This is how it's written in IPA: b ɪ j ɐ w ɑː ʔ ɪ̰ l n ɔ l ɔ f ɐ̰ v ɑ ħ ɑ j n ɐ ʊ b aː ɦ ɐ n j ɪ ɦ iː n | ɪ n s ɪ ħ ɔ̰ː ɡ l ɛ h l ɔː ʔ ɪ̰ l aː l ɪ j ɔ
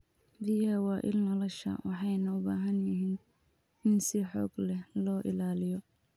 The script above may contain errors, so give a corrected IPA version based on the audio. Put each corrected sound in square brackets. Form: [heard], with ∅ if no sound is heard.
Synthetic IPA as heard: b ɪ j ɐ w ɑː ʔ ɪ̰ l n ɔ l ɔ [ʃ] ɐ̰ [w] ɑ ħ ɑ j n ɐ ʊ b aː ɦ ɐ n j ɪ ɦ iː n | ɪ n s ɪ ħ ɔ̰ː ɡ l ɛ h l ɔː ʔ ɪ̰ l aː l ɪ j ɔ